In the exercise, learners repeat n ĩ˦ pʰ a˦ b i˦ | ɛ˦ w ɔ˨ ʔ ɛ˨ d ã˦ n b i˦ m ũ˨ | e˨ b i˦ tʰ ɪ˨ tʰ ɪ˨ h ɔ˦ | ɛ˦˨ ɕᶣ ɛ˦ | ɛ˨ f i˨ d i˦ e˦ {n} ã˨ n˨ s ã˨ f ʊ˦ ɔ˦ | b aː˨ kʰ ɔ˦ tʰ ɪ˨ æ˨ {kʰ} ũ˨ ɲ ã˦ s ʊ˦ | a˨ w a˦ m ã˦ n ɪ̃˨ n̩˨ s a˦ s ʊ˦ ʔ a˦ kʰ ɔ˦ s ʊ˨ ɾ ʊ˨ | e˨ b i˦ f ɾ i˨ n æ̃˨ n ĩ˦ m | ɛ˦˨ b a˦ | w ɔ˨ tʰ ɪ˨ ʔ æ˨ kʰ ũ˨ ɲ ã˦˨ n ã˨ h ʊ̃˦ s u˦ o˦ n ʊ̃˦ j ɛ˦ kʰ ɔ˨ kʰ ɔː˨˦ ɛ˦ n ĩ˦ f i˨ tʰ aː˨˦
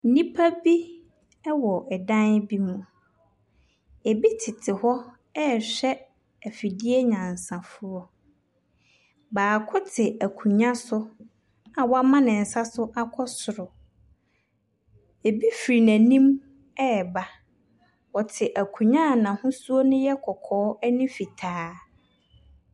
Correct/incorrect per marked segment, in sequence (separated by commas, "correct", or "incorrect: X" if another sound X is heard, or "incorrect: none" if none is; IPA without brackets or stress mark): incorrect: ɲ, correct